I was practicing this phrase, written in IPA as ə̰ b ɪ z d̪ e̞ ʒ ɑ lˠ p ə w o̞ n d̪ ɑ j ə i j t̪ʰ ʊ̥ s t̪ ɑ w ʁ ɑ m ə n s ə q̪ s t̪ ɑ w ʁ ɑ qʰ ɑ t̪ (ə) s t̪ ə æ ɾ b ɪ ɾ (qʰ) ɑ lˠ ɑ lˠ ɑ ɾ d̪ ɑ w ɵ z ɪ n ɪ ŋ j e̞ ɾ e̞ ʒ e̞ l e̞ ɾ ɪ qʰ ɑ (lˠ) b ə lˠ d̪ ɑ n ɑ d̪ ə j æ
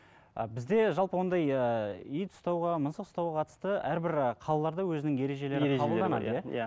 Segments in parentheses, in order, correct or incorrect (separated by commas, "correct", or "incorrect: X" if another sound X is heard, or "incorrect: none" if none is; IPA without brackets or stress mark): correct, correct, incorrect: none